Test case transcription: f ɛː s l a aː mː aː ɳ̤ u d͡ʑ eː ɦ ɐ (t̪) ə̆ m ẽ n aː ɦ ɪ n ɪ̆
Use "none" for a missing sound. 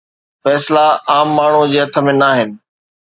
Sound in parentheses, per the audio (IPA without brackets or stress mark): t̪ʰ